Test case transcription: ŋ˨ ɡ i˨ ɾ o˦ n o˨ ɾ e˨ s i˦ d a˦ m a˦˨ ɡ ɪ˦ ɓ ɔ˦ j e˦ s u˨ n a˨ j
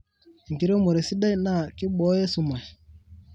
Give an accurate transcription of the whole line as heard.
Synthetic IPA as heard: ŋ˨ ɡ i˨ ɾ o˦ m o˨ ɾ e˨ s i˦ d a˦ n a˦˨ k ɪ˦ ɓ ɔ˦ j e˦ s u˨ m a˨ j